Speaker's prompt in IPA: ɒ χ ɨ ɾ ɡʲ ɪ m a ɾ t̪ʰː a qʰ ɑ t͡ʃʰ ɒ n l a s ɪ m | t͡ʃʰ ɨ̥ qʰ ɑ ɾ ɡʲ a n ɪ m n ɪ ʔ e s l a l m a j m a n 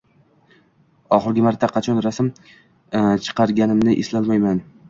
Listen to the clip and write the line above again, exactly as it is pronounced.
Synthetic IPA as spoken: ɒ χ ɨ ɾ ɡʲ ɪ m a ɾ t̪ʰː a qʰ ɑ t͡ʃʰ ɒ n ɾ a s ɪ m | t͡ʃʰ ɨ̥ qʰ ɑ ɾ ɡʲ a n ɪ m n ɪ ʔ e s l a l m a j m a n